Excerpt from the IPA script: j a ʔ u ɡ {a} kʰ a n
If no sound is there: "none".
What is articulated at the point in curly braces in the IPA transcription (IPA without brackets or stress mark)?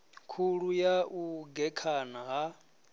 ɛ